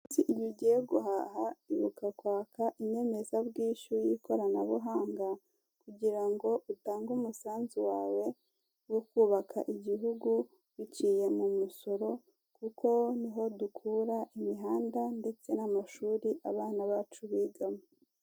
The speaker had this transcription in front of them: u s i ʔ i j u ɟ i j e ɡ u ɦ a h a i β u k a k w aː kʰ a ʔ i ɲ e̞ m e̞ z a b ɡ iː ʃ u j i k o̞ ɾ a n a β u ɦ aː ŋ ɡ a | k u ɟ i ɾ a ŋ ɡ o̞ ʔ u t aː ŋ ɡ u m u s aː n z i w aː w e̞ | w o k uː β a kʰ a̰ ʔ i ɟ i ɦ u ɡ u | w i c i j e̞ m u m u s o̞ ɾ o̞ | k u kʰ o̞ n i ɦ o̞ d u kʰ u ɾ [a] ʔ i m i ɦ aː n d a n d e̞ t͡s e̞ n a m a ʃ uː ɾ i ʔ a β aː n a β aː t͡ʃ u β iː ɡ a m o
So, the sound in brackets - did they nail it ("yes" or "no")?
yes